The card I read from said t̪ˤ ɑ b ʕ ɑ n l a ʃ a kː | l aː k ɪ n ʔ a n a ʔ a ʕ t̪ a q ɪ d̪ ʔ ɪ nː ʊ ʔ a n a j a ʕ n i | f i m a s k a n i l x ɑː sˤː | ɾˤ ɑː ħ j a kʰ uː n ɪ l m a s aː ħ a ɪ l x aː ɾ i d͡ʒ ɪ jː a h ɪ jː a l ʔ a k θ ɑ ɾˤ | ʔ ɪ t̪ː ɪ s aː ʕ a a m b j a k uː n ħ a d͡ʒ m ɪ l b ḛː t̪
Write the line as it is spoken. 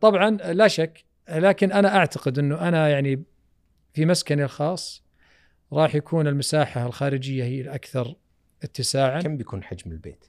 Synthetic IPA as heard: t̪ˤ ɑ b ʕ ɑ n l a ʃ a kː | l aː k ɪ n ʔ a n a ʔ a ʕ t̪ a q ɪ d̪ ʔ ɪ nː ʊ ʔ a n a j a ʕ n i | f i m a s k a n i l x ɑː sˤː | ɾˤ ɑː ħ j a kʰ uː n ɪ l m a s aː ħ a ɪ l x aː ɾ ɪ d͡ʒ ɪ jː a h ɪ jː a l ʔ a k θ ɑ ɾˤ | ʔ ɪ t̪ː ɪ s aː ʕ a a m b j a k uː n ħ a d͡ʒ m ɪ l b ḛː t̪